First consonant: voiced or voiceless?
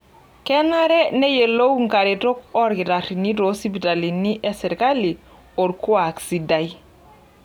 voiceless